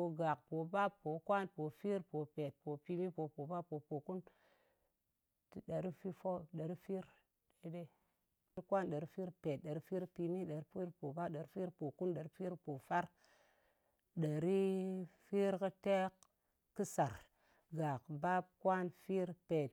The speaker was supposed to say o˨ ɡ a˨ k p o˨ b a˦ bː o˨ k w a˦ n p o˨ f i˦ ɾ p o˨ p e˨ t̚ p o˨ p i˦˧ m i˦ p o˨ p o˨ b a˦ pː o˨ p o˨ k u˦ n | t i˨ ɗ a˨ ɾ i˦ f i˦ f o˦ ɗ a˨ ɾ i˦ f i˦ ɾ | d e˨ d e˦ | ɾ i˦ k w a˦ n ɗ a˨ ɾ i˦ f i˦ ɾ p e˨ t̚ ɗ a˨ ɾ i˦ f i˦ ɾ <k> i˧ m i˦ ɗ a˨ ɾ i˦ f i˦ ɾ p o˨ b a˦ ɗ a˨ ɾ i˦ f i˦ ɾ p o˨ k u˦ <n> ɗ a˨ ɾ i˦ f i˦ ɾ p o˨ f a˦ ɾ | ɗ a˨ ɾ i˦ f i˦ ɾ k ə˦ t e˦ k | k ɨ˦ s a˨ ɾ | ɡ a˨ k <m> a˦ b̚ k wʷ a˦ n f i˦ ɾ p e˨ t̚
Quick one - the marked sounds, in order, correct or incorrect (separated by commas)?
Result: incorrect, correct, incorrect